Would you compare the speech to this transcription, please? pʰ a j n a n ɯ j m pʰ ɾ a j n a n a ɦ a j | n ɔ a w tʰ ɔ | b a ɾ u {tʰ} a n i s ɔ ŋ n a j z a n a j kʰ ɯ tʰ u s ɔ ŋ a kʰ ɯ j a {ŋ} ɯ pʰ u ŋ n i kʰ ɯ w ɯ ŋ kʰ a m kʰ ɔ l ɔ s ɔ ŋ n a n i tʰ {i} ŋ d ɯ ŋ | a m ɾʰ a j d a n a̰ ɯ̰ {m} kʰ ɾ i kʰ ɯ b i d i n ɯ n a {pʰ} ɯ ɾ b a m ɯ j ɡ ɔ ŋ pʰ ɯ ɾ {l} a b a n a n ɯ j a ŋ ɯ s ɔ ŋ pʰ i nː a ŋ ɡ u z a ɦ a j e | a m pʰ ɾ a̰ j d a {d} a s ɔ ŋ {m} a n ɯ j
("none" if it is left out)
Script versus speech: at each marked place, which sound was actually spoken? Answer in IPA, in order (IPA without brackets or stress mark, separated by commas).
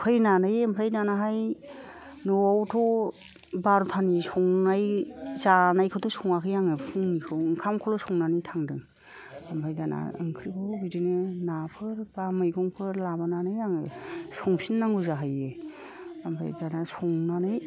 tʰ, ŋ, a, ŋ, pʰ, l, n, n